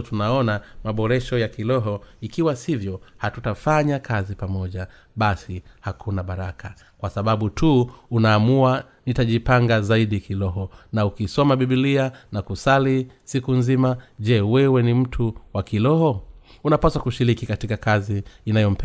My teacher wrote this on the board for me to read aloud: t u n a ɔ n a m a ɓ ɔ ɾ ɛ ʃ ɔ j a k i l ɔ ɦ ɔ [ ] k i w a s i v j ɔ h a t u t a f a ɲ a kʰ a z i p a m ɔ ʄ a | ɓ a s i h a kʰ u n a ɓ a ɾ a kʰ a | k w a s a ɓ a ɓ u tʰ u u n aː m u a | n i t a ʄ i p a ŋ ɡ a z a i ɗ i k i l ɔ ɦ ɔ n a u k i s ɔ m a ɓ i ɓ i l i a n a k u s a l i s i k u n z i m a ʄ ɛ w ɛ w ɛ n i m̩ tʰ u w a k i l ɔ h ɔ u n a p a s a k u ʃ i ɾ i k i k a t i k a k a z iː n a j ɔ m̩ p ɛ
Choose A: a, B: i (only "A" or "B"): B